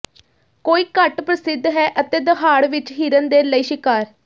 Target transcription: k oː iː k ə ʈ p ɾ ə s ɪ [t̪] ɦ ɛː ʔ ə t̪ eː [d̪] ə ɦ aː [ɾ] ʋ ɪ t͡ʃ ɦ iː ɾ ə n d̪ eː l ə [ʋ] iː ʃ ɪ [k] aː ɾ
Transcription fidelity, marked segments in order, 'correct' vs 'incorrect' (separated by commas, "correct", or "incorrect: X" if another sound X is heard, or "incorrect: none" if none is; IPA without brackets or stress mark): incorrect: d̪, correct, incorrect: ɽ, incorrect: none, correct